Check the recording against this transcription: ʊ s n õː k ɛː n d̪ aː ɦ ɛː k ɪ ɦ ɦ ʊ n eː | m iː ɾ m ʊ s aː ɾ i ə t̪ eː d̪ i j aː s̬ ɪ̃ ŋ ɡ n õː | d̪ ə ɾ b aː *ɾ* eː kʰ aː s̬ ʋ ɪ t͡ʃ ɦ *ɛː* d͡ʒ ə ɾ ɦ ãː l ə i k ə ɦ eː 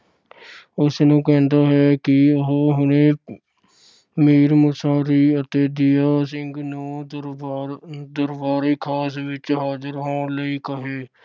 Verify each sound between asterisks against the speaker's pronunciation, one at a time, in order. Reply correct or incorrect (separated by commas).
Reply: correct, incorrect